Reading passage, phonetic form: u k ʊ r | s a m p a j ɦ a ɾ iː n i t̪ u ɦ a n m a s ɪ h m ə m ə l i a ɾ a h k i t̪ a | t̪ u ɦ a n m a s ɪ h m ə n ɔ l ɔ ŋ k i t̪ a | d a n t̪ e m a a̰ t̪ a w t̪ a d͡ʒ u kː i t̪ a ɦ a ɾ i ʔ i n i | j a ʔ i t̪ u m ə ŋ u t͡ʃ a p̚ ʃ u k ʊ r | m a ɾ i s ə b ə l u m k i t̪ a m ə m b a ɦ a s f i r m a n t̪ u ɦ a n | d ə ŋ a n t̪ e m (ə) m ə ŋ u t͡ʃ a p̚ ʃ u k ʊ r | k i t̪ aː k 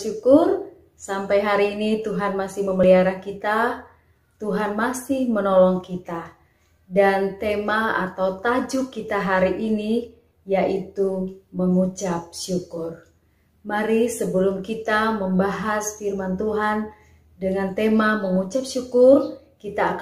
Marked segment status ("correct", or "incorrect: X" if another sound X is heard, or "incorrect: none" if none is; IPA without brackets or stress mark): incorrect: a